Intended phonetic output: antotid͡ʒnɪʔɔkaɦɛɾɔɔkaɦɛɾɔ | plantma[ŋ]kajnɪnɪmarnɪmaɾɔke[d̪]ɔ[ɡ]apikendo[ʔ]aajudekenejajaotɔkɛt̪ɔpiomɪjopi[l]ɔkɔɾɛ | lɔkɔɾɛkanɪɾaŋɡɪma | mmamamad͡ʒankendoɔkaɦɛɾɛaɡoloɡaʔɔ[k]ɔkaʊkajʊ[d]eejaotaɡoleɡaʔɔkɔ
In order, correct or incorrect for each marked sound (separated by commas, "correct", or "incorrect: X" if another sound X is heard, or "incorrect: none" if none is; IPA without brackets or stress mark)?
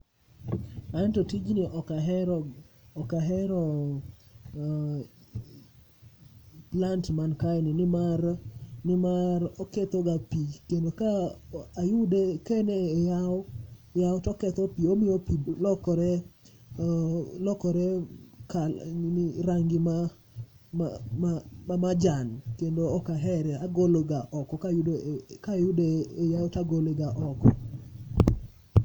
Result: incorrect: n, incorrect: t̪, correct, incorrect: k, correct, correct, correct